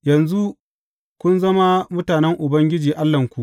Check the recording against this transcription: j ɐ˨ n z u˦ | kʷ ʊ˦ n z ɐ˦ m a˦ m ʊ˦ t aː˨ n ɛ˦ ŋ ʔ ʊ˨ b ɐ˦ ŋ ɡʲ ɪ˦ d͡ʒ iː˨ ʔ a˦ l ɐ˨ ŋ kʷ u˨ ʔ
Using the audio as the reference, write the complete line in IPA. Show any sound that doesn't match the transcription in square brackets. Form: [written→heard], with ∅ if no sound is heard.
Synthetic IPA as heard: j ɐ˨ n z u˦ | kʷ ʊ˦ n z ɐ˦ m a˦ m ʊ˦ t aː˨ n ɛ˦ ŋ ʔ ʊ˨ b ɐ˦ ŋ ɡʲ ɪ˦ d͡ʒ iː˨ ʔ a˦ [l→lː] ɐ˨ ŋ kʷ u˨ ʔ